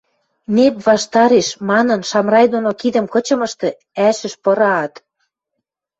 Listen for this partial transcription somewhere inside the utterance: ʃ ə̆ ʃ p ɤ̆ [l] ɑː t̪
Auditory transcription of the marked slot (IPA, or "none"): ɾ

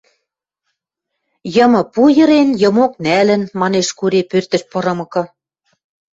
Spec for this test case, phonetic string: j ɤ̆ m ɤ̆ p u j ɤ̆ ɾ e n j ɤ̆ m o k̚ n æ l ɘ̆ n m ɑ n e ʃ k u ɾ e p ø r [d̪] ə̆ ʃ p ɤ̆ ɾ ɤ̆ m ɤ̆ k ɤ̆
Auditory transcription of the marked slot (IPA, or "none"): t̪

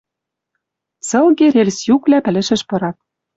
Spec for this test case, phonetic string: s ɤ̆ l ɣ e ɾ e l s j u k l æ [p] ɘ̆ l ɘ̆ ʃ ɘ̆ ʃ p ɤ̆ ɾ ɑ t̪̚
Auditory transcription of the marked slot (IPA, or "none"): p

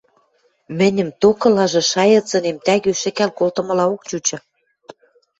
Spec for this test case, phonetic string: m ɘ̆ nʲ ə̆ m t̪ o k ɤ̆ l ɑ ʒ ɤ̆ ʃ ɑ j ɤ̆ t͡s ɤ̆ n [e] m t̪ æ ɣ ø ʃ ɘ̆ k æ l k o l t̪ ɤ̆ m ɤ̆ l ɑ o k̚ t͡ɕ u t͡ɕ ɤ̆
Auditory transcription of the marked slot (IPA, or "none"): e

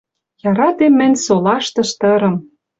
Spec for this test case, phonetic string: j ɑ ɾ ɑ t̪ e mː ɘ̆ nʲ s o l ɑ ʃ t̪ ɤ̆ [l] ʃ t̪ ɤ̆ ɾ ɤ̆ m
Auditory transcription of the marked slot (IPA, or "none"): none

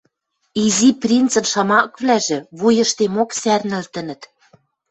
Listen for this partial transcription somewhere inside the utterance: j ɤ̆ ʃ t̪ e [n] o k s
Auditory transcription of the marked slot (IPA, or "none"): m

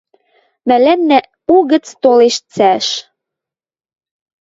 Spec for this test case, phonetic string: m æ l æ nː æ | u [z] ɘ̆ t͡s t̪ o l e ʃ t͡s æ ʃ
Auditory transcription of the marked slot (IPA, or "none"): ɣ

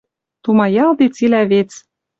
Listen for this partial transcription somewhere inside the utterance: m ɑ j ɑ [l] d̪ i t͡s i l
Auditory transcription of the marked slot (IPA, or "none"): l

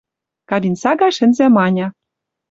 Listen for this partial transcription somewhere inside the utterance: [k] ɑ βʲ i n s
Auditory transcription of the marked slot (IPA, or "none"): k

